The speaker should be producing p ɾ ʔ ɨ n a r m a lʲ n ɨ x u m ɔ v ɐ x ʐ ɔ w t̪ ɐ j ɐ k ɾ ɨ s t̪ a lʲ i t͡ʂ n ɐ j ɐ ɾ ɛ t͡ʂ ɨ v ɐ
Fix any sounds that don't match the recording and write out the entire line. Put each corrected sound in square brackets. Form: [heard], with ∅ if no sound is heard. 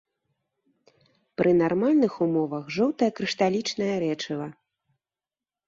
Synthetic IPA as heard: p ɾ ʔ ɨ n a r m a lʲ n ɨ x u m ɔ v ɐ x ʐ ɔ w t̪ ɐ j ɐ k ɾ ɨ [ʂ] t̪ a lʲ i t͡ʂ n ɐ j ɐ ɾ ɛ t͡ʂ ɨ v ɐ